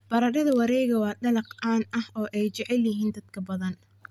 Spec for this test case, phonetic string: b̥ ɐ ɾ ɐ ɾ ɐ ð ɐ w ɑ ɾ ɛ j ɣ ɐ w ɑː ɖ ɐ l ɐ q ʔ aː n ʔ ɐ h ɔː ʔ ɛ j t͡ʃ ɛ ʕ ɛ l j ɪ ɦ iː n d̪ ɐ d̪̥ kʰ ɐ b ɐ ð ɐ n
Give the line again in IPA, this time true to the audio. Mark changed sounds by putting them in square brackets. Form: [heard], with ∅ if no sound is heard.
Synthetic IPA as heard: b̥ ɐ ɾ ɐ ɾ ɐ ð ɐ w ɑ ɾ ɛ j ɣ ɐ w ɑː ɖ ɐ l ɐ q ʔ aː n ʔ ɐ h ɔː ʔ ɛ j t͡ʃ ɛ ʕ ɛ l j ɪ ɦ iː n d̪ ɐ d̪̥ kʰ ɐ b ɐ ð ɐ n